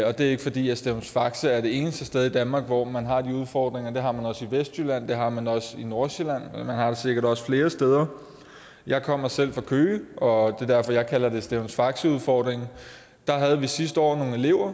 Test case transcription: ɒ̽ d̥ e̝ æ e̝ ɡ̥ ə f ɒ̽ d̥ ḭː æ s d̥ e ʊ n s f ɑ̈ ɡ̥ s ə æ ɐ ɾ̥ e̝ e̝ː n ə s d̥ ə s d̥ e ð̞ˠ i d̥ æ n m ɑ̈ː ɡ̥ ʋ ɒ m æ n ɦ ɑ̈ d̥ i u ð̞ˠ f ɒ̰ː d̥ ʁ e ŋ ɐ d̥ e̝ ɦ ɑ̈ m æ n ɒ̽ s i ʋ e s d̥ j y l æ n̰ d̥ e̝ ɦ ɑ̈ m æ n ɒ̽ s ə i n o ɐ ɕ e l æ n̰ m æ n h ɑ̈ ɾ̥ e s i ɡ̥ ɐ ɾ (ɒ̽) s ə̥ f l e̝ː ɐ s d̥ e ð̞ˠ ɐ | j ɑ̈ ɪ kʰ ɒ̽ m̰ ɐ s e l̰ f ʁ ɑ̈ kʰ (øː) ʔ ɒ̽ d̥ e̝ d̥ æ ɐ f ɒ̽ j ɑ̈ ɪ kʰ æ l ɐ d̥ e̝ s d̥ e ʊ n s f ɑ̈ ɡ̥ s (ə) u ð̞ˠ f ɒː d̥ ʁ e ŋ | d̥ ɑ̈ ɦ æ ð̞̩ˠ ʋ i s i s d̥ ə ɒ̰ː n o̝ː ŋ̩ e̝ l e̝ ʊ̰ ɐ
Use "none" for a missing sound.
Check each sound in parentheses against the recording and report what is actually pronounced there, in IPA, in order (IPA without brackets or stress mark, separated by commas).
ɒ̽, øː, ə